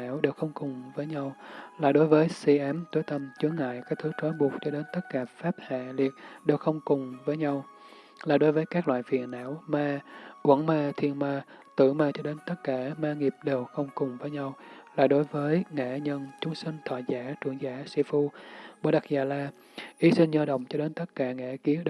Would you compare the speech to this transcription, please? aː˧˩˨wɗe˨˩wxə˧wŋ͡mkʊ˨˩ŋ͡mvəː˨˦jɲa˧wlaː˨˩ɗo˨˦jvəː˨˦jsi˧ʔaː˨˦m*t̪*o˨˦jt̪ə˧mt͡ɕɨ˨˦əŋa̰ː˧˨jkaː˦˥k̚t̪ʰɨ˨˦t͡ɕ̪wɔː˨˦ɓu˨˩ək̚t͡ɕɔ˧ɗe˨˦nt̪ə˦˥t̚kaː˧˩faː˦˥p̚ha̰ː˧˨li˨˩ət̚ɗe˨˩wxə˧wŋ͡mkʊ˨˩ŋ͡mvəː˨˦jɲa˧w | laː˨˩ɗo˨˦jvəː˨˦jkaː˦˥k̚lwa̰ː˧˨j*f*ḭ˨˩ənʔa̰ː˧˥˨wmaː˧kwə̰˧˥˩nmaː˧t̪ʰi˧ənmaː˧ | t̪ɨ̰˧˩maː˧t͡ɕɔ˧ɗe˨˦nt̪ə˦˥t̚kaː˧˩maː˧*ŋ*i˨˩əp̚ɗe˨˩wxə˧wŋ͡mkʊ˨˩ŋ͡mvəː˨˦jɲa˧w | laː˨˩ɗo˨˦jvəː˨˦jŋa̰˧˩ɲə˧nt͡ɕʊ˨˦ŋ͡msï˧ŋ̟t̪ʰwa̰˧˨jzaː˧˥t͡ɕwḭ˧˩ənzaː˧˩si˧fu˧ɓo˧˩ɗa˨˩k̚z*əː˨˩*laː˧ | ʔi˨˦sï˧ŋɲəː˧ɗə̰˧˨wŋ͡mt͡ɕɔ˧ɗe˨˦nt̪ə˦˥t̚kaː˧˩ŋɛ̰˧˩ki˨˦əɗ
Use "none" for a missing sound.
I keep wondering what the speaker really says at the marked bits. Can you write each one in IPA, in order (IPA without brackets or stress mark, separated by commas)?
t̪, f, ŋ, aː˨˩